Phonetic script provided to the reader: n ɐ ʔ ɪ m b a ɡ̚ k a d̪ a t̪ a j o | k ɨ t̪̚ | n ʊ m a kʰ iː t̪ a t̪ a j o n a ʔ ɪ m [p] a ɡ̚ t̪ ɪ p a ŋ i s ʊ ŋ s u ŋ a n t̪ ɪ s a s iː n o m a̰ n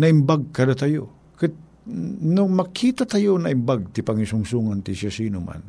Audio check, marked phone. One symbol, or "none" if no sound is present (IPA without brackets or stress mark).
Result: b